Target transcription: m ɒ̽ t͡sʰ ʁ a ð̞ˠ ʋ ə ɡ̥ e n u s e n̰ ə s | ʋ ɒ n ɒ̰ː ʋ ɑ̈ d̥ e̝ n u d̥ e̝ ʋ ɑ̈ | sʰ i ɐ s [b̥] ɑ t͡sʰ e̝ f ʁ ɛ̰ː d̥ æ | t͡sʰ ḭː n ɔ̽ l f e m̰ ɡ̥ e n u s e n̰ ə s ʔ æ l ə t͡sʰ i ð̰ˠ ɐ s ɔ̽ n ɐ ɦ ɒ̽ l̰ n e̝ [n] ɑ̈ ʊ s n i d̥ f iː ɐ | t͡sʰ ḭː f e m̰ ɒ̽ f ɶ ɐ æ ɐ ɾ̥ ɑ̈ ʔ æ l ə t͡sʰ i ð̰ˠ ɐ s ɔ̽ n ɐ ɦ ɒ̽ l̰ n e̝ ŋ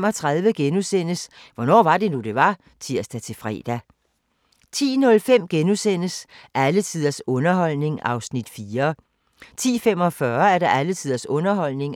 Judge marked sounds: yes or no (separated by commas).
no, no